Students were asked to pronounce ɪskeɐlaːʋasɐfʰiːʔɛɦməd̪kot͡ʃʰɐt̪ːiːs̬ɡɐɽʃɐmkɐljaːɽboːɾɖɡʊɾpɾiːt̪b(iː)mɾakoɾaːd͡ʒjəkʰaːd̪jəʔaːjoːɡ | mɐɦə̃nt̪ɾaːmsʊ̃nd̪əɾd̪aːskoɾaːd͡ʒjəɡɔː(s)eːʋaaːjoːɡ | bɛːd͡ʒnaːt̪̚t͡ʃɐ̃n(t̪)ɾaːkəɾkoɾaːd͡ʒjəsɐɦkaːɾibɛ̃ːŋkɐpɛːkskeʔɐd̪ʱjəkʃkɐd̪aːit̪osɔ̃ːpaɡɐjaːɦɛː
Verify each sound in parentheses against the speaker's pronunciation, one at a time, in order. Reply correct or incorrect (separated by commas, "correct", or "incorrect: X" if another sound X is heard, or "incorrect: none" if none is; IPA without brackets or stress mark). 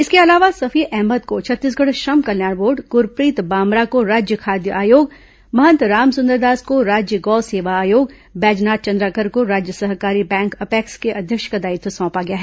incorrect: aː, correct, incorrect: d̪